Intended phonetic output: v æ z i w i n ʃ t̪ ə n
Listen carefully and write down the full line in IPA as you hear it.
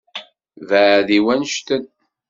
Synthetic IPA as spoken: v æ ð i w æ n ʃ t̪ ə n